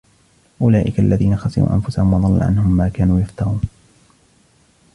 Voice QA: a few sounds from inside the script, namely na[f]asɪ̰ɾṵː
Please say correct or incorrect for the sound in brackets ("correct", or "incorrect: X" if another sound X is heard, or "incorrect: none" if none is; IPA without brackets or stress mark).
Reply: incorrect: x